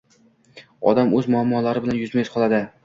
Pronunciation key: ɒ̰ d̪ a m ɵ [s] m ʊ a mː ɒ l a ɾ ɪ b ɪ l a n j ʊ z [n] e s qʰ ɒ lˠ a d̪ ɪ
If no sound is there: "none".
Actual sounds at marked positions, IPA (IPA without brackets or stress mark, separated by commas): z, m